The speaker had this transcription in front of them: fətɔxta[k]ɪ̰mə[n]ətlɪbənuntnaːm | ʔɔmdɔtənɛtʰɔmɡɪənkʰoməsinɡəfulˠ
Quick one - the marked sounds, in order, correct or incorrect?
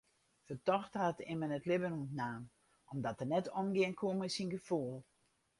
incorrect, correct

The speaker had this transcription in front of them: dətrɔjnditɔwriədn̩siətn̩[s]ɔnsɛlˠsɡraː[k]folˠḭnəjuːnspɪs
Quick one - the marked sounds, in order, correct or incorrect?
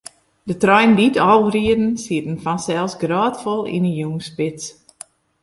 incorrect, incorrect

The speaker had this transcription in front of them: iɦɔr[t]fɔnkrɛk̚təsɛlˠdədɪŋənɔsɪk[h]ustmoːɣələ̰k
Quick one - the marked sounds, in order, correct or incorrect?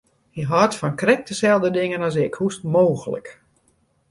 correct, correct

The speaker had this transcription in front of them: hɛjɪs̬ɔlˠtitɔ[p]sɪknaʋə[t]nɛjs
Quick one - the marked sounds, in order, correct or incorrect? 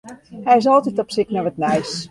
correct, correct

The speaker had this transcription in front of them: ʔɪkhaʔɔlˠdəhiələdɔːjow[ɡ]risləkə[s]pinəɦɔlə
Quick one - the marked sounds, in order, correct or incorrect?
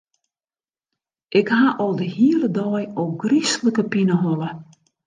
correct, incorrect

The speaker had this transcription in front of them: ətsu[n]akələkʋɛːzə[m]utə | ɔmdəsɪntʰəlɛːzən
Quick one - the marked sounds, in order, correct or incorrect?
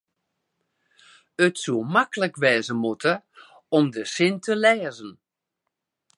incorrect, correct

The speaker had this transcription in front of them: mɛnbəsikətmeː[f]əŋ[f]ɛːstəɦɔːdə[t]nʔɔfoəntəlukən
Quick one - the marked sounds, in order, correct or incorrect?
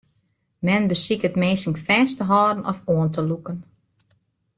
incorrect, correct, incorrect

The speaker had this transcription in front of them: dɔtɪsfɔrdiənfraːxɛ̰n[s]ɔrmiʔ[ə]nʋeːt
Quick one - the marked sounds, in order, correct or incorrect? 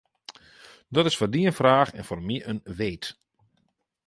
incorrect, correct

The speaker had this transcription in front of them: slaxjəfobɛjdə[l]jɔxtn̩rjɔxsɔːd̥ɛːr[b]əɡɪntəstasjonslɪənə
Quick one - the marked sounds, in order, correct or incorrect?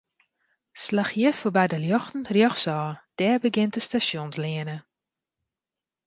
correct, correct

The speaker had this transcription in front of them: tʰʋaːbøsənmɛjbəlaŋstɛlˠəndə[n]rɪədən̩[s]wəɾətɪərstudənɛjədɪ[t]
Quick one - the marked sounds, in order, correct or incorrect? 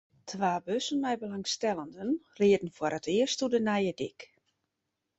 correct, incorrect, incorrect

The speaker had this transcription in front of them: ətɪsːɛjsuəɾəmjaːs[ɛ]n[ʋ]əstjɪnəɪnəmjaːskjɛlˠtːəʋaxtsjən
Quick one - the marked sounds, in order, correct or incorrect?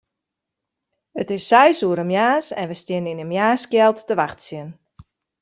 correct, correct

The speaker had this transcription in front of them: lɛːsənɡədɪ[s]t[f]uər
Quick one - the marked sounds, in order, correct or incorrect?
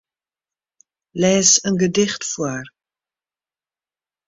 incorrect, correct

